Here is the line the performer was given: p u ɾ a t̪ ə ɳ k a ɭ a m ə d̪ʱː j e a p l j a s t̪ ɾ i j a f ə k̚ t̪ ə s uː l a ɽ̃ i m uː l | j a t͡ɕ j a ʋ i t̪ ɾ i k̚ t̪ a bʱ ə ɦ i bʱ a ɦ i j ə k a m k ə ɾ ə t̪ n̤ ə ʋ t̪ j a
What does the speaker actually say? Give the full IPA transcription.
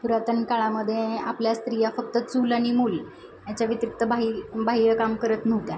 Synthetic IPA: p u ɾ a t̪ ə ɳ k a ɭ a m ə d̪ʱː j e a p l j a s t̪ ɾ i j a f ə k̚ t̪ ə t͡s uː l a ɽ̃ i m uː l | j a t͡ɕ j a ʋ i t̪ ɾ i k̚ t̪ ə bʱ a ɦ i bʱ a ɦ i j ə k a m k ə ɾ ə t̪ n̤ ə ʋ t̪ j a